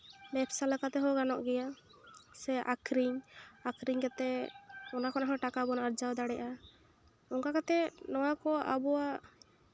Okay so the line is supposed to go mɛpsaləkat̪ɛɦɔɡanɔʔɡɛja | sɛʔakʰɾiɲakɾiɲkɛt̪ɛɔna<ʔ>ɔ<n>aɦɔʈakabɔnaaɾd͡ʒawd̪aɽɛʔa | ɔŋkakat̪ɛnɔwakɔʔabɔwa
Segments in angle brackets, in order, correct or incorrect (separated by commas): incorrect, correct